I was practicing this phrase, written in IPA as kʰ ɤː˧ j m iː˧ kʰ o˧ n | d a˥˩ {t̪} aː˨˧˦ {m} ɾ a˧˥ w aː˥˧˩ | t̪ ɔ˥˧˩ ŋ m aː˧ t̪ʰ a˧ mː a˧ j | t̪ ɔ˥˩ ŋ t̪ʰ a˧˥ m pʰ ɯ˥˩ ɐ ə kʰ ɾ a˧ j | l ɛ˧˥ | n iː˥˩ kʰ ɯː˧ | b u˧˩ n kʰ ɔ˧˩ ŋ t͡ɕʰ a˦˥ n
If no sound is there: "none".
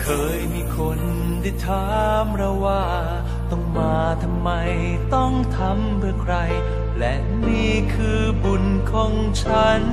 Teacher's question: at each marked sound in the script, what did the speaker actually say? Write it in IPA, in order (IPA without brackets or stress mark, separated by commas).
t̪ʰ, m